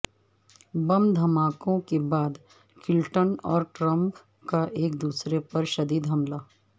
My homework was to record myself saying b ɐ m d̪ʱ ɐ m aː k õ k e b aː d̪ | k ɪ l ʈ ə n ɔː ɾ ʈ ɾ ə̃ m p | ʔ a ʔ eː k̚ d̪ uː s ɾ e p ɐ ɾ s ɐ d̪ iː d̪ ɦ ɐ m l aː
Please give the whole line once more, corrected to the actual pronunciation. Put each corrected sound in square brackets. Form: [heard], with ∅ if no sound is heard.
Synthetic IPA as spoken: b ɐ m d̪ʱ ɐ m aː k õ k e b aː d̪ | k ɪ l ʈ ə n ɔː ɾ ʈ ɾ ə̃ m p | [k] a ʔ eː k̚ d̪ uː s ɾ e p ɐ ɾ [ʃ] ɐ d̪ iː d̪ ɦ ɐ m l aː